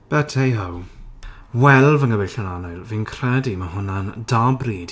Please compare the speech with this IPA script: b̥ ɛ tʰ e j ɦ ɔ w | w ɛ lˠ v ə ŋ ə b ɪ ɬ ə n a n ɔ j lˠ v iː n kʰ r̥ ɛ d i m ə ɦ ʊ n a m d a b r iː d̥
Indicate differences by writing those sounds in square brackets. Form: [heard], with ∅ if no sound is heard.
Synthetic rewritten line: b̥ ɛ tʰ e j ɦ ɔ w | w ɛ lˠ v ə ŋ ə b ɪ ɬ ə n a n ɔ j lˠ v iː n kʰ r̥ ɛ d i m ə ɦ ʊ n a [n] d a b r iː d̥